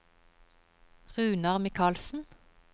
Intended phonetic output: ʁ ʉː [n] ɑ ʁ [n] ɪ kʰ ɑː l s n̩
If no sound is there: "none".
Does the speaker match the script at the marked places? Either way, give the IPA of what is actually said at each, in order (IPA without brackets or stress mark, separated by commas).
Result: n, m